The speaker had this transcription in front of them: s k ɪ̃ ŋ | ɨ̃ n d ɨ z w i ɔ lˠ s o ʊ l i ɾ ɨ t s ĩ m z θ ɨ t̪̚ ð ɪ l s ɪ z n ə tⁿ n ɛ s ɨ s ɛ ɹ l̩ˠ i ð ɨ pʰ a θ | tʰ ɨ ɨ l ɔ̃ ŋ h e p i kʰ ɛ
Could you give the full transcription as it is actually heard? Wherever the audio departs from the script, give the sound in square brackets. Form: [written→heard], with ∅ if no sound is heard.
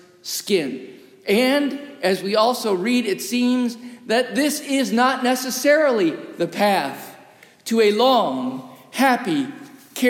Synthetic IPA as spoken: s k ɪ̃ [ŋ→n] | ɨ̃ n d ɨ z w i ɔ lˠ s o ʊ [l→ɹ] i ɾ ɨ t s ĩ m z [θ→ð] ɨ t̪̚ ð ɪ [l→∅] s ɪ z n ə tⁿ n ɛ s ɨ s ɛ ɹ l̩ˠ i ð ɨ pʰ [a→æ] θ | tʰ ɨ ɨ l ɔ̃ ŋ h [e→æ] p i kʰ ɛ